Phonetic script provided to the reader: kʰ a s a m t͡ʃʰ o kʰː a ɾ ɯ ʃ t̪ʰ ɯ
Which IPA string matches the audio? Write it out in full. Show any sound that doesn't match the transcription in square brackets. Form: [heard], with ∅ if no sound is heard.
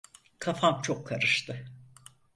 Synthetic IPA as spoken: kʰ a [f] a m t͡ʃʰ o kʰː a ɾ ɯ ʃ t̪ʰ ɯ